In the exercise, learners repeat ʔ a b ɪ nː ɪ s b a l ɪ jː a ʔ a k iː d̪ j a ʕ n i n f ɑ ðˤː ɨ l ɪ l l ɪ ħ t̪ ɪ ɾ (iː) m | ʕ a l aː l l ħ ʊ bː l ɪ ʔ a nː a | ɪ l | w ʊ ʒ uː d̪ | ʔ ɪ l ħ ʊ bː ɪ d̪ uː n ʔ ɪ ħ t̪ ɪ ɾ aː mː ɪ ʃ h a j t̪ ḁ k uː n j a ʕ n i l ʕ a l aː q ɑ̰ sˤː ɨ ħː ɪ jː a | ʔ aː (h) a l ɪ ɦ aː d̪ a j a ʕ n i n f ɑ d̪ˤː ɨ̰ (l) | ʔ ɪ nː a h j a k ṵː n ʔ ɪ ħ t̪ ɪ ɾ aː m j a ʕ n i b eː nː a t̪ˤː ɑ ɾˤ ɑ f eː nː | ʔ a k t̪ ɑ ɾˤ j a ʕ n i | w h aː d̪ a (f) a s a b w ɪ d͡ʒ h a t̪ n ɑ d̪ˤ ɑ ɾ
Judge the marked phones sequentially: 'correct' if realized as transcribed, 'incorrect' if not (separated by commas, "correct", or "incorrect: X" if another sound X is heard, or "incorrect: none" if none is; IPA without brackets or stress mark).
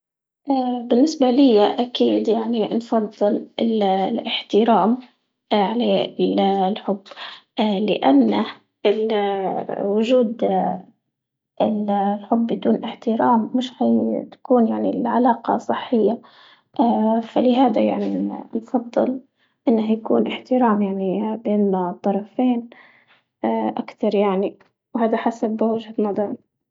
incorrect: aː, incorrect: f, correct, incorrect: ħ